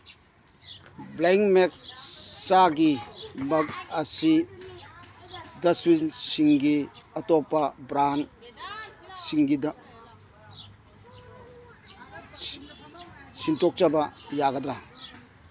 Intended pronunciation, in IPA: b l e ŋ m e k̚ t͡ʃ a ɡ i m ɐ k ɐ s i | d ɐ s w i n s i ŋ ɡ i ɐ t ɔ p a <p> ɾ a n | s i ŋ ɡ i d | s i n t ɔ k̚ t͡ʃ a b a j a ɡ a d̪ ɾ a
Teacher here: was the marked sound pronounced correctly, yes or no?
no